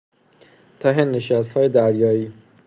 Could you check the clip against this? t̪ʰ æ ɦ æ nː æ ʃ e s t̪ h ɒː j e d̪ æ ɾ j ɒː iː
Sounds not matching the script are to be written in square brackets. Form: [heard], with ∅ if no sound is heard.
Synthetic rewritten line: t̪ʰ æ ɦ [e] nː [e] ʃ [æ] s t̪ h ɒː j e d̪ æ ɾ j ɒː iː

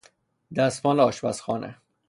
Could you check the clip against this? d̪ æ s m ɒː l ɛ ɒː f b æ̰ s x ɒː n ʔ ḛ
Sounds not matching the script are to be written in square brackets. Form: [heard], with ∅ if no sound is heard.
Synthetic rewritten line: d̪ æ s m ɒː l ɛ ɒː [ʃ] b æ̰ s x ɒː n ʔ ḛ

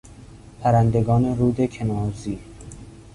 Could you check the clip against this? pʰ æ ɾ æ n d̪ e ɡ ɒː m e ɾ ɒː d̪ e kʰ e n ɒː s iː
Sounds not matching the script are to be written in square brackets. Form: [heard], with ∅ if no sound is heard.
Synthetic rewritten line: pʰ æ ɾ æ n d̪ e ɡ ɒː [n] e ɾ [uː] d̪ e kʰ e n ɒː [z] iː

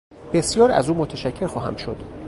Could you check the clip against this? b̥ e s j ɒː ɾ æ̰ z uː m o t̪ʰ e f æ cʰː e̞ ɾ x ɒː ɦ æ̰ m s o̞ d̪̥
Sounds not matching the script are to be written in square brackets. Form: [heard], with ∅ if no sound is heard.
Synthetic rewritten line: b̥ e s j ɒː ɾ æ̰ z uː m o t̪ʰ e [ʃ] æ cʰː e̞ ɾ x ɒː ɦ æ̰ m [ʃ] o̞ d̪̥

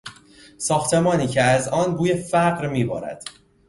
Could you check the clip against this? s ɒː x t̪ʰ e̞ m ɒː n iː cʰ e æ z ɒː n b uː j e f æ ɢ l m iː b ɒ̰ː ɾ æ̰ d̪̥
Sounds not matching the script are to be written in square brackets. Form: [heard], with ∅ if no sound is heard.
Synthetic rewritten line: s ɒː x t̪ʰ e̞ m ɒː n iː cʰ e æ z ɒː n b uː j e f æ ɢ [ɾ] m iː b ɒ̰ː ɾ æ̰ d̪̥

